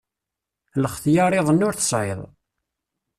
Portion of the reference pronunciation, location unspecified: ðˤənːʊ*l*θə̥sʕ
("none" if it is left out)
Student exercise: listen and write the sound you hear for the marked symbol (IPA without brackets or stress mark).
ɾ